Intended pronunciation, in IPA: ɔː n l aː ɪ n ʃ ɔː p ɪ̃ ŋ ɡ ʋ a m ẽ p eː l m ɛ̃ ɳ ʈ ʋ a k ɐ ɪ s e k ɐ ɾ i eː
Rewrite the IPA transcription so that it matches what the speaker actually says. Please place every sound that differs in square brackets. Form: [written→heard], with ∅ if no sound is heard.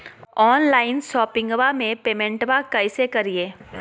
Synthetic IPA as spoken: ɔː n l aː ɪ n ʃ ɔː p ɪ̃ ŋ ɡ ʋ a m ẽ p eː [l→∅] m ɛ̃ ɳ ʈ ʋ a k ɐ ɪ s e k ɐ ɾ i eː

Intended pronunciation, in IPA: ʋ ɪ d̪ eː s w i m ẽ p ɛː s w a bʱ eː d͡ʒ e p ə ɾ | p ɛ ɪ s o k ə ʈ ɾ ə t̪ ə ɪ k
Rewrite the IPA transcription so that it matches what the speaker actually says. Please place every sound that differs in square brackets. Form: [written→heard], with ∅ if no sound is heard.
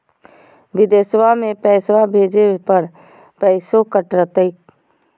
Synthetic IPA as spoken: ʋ ɪ d̪ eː s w [i→a] m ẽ p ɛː s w a bʱ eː d͡ʒ e p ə ɾ | p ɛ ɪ s o k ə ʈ ɾ ə t̪ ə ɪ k

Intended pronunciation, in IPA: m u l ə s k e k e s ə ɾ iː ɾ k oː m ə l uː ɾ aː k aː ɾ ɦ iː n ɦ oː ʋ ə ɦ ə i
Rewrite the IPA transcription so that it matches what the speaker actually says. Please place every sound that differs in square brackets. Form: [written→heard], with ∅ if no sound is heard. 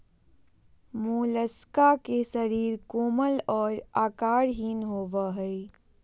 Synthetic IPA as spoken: m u l ə s k [e→a] k e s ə ɾ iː ɾ k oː m ə l [uː→ɔː] ɾ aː k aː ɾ ɦ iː n ɦ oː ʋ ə ɦ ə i

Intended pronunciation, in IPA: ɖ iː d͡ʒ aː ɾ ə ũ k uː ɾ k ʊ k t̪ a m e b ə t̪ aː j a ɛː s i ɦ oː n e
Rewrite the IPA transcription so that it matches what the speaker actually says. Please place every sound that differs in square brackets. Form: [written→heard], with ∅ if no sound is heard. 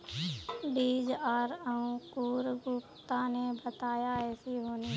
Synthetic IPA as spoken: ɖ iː d͡ʒ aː ɾ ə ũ k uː ɾ [k→ɡ] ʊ [k→p] t̪ a [m→n] e b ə t̪ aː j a ɛː s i ɦ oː n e

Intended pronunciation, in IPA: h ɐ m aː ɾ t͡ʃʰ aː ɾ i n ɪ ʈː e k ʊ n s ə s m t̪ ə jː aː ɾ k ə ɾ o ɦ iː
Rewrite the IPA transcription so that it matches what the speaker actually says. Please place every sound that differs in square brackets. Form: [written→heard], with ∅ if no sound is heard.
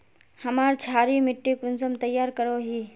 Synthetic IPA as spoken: h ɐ m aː ɾ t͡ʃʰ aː ɾ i [n→m] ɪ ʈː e k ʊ n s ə [s→∅] m t̪ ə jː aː ɾ k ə ɾ o ɦ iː

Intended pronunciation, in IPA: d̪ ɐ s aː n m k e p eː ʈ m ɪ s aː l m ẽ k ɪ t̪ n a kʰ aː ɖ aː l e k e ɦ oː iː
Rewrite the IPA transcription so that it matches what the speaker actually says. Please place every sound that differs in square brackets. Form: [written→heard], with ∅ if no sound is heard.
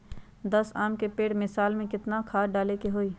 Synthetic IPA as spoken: d̪ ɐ s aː [n→∅] m k e p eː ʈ m ɪ s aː l m ẽ k ɪ t̪ n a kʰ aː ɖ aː l e k e ɦ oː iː

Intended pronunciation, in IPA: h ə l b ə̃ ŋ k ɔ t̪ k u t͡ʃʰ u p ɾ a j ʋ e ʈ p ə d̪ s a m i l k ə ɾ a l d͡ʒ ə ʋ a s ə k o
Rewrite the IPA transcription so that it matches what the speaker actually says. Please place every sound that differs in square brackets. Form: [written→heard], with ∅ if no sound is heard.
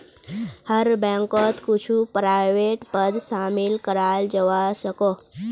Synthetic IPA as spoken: h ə [l→ɾ] b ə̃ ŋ k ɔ t̪ k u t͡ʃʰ u p ɾ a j ʋ e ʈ p ə d̪ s a m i l k ə ɾ a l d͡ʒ ə ʋ a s ə k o

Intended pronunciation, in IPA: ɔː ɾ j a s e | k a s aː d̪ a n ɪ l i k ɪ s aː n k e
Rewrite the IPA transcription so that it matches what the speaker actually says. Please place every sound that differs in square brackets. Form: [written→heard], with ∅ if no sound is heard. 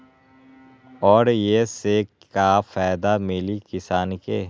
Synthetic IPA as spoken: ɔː ɾ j [a→e] s e | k a [s→f] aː d̪ a [n→m] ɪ l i k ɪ s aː n k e

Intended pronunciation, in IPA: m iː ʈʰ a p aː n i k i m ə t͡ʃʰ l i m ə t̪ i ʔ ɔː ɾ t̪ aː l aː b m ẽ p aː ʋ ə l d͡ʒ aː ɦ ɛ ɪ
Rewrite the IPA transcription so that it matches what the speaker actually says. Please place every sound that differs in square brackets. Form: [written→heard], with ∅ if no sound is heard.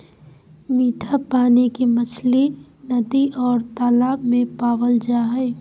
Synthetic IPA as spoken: m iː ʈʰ a p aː n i k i m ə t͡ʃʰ l i [m→n] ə [t̪→d̪] i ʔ ɔː ɾ t̪ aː l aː b m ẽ p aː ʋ ə l d͡ʒ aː ɦ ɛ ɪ

